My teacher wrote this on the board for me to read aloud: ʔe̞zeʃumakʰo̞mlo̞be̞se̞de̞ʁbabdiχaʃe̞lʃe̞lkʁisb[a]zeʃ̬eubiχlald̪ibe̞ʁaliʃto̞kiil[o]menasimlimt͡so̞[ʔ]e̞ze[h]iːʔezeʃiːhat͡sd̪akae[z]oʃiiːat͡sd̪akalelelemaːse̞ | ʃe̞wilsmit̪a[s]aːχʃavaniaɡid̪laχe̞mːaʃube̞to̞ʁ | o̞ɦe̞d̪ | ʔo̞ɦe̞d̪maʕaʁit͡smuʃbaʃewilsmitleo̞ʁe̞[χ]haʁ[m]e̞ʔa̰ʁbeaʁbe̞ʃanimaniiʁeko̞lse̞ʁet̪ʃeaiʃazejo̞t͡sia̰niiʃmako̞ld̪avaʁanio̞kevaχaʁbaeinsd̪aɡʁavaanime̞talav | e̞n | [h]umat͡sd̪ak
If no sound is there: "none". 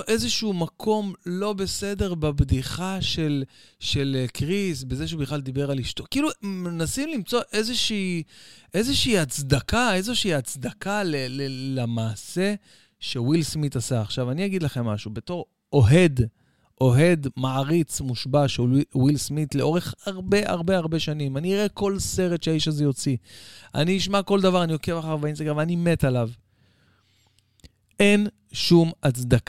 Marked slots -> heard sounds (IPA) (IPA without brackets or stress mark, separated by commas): e, u, ʔ, ʃ, z, s, χ, b, ʃ